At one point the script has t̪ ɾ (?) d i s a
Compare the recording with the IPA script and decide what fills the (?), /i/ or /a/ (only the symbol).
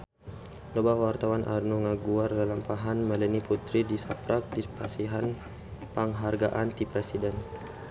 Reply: i